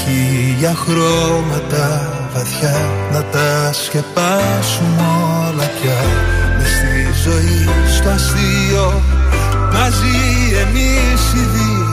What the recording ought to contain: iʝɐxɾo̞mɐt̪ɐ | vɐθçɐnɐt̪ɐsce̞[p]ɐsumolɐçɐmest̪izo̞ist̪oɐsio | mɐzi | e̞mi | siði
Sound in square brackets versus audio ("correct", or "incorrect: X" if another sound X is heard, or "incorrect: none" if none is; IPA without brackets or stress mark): correct